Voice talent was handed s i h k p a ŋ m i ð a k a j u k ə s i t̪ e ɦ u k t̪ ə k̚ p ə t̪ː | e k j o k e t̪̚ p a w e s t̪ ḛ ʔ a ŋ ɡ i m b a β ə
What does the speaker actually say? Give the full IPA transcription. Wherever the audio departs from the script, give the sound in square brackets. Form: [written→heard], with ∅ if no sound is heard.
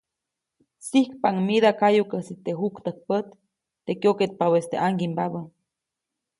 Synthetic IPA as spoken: s i h k p a ŋ m i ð a k a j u k ə s i t̪ e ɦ u k t̪ ə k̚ p ə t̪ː | e k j o k e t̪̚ p a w e s t̪ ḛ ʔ a ŋ ɡ i m b a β ə